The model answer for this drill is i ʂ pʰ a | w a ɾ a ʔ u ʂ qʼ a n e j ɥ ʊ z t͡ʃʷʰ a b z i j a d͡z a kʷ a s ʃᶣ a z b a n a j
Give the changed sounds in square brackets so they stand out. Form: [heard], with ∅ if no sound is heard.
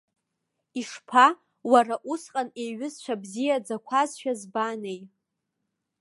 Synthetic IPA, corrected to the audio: i ʂ pʰ a | w a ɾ a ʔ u [s] qʼ a n e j ɥ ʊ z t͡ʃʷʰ a b z i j a d͡z a [kʷʰ] a [z] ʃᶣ a z b a n [e] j

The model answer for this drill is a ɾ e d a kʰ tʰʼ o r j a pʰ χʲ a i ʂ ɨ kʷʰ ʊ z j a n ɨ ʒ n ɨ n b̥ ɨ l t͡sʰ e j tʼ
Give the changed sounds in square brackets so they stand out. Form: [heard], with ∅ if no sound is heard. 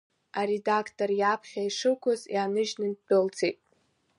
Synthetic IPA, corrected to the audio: a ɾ e d a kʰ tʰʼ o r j a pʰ χʲ a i ʂ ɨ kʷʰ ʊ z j a n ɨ ʒ n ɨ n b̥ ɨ l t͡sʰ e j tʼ

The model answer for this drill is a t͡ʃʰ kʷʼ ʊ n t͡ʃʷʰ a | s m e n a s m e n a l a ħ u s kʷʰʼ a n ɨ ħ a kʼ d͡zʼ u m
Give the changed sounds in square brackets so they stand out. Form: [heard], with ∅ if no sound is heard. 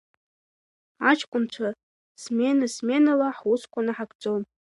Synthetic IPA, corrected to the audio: a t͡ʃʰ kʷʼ ʊ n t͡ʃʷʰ a | s m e n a s m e n a l a ħ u s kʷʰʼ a n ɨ ħ a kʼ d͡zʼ [o] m

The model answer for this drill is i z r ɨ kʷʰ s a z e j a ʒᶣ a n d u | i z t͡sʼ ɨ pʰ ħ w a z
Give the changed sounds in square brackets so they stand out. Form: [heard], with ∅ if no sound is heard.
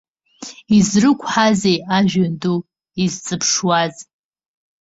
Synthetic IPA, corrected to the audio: i z r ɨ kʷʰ [ħ] a z e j a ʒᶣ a n d u | i z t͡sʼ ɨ pʰ [ʂ] w a z

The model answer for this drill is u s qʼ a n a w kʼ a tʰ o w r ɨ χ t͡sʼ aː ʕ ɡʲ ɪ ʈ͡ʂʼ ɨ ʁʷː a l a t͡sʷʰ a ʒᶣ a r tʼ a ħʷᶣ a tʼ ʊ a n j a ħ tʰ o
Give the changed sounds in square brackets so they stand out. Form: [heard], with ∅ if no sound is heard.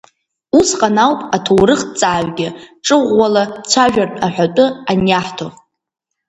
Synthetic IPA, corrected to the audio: u s qʼ a n a w [pʼ] a tʰ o w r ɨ χ t͡sʼ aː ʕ ɡʲ ɪ ʈ͡ʂʼ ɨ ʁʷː a l a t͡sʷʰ a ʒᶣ a r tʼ a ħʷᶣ a tʼ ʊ a n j a ħ tʰ o

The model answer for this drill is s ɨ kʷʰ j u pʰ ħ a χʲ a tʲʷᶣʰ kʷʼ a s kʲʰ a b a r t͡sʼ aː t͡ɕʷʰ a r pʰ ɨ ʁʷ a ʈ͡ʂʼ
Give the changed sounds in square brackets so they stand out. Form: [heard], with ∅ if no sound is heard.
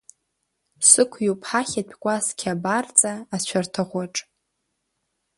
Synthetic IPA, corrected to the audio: s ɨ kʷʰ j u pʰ ħ a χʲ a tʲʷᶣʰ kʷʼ a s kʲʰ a b a r t͡sʼ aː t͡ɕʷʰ a r [tʰ] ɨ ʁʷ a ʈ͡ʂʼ

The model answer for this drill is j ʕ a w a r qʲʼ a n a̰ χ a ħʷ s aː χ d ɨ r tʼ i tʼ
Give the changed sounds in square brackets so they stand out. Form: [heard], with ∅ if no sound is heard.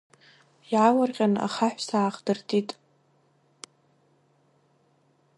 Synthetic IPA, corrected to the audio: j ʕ a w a r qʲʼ a n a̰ χ a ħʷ s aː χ d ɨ r tʼ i tʼ

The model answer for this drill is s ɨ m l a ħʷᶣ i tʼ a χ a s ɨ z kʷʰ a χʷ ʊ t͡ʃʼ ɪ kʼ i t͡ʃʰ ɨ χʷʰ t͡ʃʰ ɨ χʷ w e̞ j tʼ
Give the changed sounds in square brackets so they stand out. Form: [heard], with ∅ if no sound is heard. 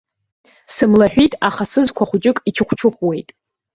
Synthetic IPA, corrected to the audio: s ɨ m l a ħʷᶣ i tʼ a χ a s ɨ z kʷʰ a χʷ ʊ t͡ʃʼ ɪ kʼ i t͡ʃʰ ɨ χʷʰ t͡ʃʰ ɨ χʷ w e̞ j tʼ

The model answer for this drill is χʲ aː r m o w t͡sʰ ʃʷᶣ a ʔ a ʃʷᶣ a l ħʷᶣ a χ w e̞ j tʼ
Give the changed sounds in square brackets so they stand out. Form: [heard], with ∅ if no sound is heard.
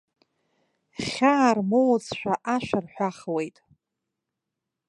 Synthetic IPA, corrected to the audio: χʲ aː r m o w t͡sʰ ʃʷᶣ a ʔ a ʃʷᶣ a [r] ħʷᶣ a χ w e̞ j tʼ

